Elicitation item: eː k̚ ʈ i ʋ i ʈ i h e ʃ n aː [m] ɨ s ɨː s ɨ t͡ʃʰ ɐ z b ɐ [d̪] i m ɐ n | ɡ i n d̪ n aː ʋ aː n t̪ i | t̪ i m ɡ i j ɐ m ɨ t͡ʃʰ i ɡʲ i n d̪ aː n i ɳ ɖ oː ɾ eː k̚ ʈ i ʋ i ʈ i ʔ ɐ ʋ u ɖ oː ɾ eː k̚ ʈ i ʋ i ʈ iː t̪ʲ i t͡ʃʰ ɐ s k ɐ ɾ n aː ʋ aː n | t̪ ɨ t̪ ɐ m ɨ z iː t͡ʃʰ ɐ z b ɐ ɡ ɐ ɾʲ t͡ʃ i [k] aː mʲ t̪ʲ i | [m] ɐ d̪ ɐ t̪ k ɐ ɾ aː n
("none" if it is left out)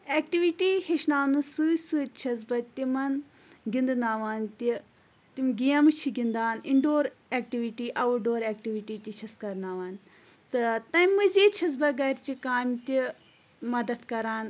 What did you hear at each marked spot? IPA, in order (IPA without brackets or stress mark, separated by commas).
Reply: n, t̪, k, m